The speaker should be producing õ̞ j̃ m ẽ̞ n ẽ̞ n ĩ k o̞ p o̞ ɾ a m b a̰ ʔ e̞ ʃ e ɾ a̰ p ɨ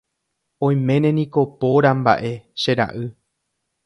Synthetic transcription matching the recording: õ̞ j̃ m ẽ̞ n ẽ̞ n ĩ k o̞ p o̞ ɾ a m b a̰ ʔ e̞ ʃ e ɾ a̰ ʔ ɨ